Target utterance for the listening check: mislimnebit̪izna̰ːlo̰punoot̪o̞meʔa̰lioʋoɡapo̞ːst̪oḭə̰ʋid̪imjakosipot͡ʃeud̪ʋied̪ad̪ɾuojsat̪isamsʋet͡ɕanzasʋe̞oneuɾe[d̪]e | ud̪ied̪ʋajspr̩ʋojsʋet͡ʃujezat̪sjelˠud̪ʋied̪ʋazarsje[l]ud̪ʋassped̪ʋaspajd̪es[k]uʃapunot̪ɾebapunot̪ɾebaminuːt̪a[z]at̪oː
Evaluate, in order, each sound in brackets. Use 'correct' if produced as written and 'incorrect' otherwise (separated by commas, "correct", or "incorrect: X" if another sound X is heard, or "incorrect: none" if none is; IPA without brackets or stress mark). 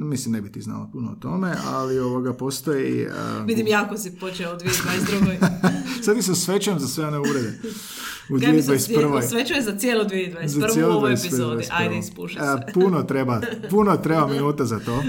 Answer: correct, correct, incorrect: p, correct